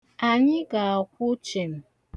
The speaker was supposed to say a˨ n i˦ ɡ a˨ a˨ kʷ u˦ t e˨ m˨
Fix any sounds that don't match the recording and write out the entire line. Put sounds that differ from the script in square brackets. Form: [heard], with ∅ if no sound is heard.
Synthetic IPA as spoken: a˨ [ɲ] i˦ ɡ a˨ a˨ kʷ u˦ [t͡ʃ] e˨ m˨

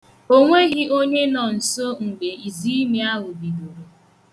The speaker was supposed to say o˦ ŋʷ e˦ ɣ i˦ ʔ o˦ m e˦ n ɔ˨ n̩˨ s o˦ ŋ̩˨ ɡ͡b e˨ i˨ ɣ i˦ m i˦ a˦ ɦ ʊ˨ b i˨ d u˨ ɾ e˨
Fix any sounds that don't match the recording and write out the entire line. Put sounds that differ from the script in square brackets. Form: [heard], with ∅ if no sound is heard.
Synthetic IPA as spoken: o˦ ŋʷ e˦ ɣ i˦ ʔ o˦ [ɲ] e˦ n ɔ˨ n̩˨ s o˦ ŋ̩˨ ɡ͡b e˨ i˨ [z] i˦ m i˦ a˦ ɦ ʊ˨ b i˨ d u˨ ɾ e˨

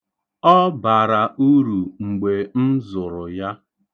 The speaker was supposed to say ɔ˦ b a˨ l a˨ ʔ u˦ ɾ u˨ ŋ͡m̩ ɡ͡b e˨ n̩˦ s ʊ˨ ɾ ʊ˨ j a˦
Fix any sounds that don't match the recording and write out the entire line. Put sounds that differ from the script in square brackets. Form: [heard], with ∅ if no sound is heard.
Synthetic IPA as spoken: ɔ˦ b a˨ [ɾ] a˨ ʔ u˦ ɾ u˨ ŋ͡m̩ ɡ͡b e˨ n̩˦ [z] ʊ˨ ɾ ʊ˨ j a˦

